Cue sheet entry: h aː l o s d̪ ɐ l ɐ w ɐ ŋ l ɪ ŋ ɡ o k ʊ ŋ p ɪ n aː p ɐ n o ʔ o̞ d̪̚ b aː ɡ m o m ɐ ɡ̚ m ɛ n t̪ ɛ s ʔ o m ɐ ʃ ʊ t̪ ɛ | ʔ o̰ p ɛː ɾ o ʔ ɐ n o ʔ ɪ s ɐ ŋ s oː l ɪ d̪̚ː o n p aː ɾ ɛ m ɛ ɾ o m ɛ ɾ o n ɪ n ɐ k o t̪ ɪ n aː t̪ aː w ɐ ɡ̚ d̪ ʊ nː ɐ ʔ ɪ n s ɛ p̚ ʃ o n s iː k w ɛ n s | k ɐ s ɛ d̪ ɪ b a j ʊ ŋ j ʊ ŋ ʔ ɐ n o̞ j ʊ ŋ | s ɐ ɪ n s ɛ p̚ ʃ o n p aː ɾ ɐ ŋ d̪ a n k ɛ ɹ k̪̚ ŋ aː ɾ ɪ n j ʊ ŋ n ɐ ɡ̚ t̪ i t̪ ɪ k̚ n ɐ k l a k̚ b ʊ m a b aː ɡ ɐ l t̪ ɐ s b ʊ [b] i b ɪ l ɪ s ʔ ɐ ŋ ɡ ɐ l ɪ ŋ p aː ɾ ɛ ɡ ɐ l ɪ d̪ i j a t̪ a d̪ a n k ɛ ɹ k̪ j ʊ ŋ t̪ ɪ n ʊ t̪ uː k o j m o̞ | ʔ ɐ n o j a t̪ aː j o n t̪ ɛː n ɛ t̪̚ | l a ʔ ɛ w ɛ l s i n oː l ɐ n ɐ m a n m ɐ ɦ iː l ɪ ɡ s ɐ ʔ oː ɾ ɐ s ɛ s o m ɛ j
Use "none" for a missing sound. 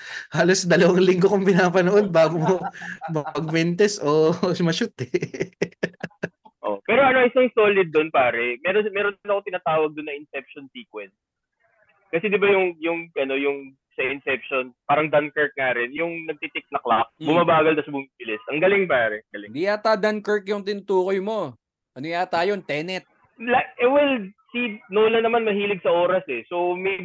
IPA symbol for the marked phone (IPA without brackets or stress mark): m